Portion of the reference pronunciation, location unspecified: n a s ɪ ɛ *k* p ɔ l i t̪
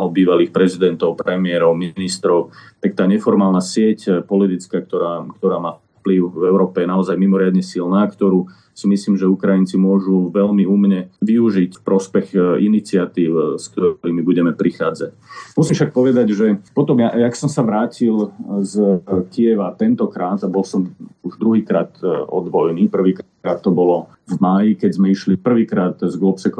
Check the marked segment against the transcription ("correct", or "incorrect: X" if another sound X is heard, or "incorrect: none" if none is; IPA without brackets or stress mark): incorrect: c